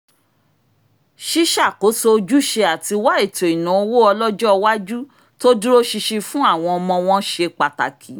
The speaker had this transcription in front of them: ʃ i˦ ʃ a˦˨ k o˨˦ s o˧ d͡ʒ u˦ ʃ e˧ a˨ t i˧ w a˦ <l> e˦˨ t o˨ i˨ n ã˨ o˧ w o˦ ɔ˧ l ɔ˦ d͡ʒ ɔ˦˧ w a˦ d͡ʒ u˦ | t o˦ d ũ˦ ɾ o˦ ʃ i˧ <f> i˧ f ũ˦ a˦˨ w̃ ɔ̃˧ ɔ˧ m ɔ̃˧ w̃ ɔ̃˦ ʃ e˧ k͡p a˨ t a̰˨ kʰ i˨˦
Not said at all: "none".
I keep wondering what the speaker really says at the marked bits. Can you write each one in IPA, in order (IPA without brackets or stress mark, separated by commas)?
none, ʃ